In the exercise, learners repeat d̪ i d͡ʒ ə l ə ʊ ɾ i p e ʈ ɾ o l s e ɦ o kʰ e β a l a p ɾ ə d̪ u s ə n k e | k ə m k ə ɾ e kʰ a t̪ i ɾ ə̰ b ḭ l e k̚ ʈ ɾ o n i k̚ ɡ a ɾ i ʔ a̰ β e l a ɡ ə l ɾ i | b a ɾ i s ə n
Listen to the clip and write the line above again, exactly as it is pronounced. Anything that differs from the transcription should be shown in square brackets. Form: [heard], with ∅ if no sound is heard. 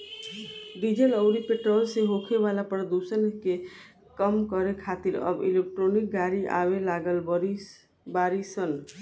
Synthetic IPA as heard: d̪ i d͡ʒ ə l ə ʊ ɾ i p e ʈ ɾ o l s e ɦ o kʰ e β a l a p ɾ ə d̪ u s ə n k e | k ə m k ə ɾ e kʰ a t̪ i ɾ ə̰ b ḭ l e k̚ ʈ ɾ o n i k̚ ɡ a ɾ i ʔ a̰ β e l a ɡ ə l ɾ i | b a ɾ i s ə n

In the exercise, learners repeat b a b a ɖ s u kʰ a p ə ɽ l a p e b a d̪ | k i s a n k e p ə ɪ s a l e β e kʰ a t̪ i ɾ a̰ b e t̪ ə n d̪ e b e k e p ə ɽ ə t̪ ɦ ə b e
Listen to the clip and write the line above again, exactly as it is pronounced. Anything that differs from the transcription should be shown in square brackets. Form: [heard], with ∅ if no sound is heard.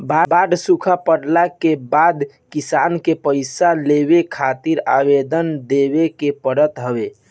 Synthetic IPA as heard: b a b a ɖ s u kʰ a p ə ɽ l a [k] e b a d̪ | k i s a n k e p ə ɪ s a l e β e kʰ a t̪ i ɾ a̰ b e [d̪] ə n d̪ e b e k e p ə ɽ ə t̪ ɦ ə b e

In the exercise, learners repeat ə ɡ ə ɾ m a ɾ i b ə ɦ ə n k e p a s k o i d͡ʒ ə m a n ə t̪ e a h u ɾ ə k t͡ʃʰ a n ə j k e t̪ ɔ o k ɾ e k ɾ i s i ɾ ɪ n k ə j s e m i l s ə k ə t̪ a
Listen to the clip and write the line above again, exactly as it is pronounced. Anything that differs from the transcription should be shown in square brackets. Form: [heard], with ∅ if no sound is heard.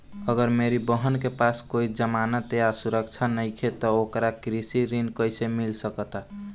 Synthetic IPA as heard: ə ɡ ə ɾ m [e] ɾ i b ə ɦ ə n k e p a s k o i d͡ʒ ə m a n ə t̪ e a [s] u ɾ ə k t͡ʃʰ a n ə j [kʰ] e t̪ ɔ o k ɾ [a] k ɾ i s i ɾ [i] n k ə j s e m i l s ə k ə t̪ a

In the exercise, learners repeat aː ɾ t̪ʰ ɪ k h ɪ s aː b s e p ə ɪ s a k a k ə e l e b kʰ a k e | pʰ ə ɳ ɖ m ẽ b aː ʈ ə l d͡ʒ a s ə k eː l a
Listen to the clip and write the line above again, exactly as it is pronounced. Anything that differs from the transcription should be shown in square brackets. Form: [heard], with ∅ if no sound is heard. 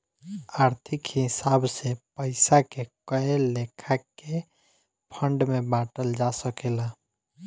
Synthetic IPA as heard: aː ɾ t̪ʰ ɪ k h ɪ s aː b s e p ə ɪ s a k [e] k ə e l e [∅] kʰ a k e | pʰ ə ɳ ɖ m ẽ b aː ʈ ə l d͡ʒ a s ə k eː l a

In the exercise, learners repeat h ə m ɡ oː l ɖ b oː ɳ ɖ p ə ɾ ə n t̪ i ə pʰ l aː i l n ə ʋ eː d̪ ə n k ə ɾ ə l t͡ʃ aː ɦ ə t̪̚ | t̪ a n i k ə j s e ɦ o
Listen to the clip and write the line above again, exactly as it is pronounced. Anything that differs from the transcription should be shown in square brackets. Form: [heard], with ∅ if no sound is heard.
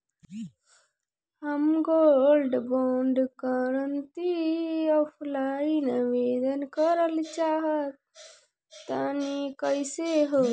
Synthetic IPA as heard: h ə m ɡ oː l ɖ b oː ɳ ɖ [k] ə ɾ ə n t̪ i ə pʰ l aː i [∅] n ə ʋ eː d̪ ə n k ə ɾ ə l t͡ʃ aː ɦ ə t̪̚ | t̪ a n i k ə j s e ɦ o

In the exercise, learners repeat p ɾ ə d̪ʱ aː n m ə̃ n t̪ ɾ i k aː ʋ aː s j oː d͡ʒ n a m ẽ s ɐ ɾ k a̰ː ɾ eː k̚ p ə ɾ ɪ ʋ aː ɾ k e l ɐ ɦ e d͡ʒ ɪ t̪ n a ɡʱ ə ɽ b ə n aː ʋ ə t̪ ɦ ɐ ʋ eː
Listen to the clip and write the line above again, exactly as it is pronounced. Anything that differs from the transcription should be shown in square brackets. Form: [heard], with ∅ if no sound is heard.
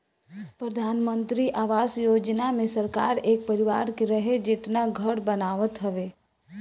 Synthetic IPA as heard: p ɾ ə d̪ʱ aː n m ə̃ n t̪ ɾ i [ʔ] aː ʋ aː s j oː d͡ʒ n a m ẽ s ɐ ɾ k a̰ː ɾ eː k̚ p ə ɾ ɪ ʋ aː ɾ k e [ɾ] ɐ ɦ e d͡ʒ ɪ t̪ n a ɡʱ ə ɽ b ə n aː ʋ ə t̪ ɦ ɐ ʋ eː

